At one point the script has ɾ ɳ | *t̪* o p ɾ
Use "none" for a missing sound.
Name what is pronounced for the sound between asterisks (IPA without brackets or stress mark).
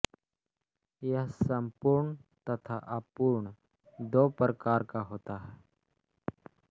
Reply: d̪